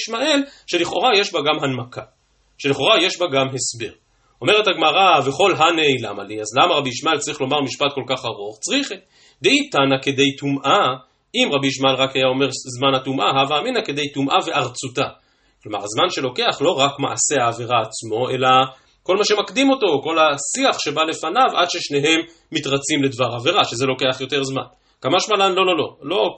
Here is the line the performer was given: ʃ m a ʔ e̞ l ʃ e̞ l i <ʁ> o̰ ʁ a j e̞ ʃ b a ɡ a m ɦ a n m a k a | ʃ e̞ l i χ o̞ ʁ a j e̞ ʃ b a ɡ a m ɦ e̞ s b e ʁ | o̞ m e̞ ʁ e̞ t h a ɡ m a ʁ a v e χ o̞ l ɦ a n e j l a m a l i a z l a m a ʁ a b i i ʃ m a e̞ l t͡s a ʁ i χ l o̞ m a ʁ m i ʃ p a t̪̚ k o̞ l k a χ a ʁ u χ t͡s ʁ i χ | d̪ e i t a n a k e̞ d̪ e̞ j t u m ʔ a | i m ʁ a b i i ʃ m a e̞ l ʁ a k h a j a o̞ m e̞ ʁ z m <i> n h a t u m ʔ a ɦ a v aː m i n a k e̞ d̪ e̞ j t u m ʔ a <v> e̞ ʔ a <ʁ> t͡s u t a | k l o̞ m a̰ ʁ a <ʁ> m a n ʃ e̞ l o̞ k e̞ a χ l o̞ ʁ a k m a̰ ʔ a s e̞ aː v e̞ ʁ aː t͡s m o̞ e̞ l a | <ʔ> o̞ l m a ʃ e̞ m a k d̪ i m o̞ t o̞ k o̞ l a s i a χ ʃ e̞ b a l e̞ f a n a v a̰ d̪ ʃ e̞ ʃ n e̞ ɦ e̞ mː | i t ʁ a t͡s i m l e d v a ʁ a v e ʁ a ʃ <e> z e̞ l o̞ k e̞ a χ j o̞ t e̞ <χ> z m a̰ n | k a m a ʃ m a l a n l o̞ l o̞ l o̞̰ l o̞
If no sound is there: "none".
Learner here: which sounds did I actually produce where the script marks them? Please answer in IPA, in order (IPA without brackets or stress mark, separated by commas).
χ, a, v, ʁ, z, k, e, ʁ